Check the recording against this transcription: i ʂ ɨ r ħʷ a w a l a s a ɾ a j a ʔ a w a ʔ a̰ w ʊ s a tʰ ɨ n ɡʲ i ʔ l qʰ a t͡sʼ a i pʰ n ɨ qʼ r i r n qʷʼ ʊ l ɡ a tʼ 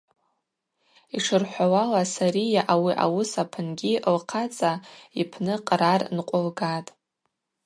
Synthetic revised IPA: i ʂ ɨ r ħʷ a w a l a s a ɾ i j a ʔ a w i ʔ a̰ w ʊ s a pʰ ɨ n ɡʲ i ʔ l qʰ a t͡sʼ a i pʰ n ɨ qʼ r a r n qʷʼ ʊ l ɡ a tʼ

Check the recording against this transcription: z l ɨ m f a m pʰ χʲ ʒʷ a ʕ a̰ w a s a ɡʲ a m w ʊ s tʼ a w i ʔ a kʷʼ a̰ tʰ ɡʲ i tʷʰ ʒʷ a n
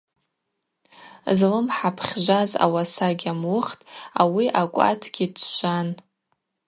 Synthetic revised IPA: z l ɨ m ħ a pʰ χʲ ʒʷ a z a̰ w a s a ɡʲ a m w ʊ χ tʼ a w i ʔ a kʷʼ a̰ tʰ ɡʲ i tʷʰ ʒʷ a n

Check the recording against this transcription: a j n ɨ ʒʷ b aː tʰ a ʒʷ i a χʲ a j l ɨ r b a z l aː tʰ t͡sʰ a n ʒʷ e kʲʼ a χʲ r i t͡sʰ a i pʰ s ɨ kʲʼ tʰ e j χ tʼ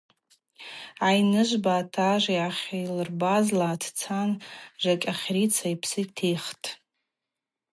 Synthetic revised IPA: a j n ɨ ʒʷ b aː tʰ a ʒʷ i a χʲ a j l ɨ r b a z l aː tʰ t͡sʰ a n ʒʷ a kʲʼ a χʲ r i t͡sʰ a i pʰ s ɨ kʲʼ tʰ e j χ tʼ

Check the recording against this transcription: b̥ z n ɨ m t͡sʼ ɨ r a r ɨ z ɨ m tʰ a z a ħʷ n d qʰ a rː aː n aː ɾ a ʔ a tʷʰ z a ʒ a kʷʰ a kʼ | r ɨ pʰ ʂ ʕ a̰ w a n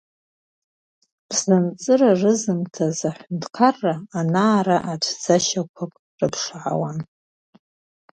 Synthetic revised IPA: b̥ z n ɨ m t͡sʼ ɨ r a r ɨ z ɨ m tʰ a z a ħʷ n d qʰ a rː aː n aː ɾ a ʔ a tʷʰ d͡z a ʃ a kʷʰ a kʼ | r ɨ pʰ ʂ ʕ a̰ w a n

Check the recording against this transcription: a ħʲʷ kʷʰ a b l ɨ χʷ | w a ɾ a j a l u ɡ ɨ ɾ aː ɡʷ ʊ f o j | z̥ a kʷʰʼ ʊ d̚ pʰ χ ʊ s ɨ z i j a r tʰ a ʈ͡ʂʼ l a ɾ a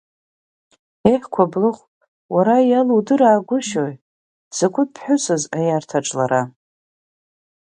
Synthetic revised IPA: e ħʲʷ kʷʰ a b l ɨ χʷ | w a ɾ a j a l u d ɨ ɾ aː ɡʷ ʊ ʃ o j | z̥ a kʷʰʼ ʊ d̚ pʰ ħ ʊ s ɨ z a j a r tʰ a ʈ͡ʂʼ l a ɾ a

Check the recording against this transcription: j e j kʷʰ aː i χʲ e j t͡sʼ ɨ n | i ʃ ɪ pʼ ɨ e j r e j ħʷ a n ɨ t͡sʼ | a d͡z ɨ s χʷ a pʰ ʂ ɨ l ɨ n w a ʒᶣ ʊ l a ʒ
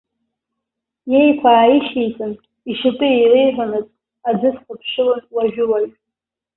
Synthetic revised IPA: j e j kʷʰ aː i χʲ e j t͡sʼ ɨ n | i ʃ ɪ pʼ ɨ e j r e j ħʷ a n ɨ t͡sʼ | a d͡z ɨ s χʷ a pʰ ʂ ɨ l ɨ n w a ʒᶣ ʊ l a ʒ

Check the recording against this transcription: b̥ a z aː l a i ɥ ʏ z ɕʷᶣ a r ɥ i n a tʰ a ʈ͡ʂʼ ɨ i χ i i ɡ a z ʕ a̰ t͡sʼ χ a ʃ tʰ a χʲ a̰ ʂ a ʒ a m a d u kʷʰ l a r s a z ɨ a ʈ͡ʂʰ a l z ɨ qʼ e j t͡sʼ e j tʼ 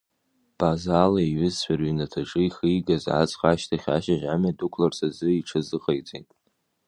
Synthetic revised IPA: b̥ a z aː l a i ɥ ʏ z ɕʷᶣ a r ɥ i n a tʰ a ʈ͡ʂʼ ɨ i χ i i ɡ a z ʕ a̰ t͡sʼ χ a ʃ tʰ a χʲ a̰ ʃ a ʒ a m a d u kʷʰ l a r s a z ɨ i ʈ͡ʂʰ a z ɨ qʼ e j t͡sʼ e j tʼ

